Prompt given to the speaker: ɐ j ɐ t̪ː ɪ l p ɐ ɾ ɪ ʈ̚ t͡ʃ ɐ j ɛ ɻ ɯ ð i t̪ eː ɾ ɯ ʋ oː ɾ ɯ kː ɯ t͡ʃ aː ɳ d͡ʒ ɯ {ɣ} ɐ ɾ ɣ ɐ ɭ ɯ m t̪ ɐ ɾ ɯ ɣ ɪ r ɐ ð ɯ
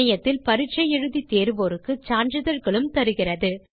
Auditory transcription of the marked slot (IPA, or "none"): ð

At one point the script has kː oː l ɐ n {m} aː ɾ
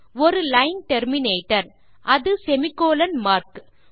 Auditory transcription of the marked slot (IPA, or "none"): m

